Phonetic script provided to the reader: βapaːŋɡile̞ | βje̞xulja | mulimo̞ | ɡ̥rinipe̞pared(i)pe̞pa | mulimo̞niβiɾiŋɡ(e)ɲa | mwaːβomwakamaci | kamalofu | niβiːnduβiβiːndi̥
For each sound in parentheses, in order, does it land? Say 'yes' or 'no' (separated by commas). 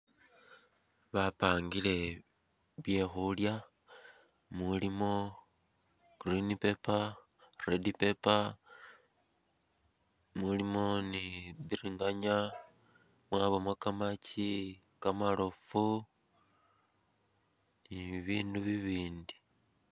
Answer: yes, no